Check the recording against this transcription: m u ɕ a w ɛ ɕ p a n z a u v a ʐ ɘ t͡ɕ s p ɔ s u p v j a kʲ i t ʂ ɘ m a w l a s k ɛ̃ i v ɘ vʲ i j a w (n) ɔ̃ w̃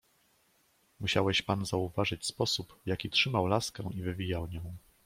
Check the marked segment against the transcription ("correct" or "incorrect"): incorrect